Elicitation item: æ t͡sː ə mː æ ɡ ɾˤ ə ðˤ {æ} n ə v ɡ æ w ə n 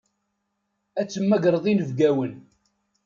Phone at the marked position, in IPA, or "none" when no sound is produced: i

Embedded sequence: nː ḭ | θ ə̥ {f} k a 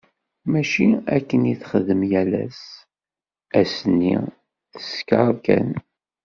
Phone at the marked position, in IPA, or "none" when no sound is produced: s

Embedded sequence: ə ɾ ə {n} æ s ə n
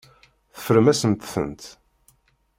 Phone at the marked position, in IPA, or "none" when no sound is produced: m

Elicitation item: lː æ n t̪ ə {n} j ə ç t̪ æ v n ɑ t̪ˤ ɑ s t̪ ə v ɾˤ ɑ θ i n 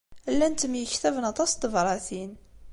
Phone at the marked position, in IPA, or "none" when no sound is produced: m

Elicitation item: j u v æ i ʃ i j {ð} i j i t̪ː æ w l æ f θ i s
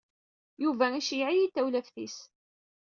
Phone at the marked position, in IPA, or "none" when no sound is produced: ʕ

